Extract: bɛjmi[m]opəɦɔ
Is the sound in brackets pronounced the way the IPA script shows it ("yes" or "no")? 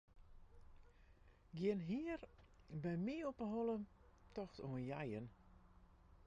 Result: no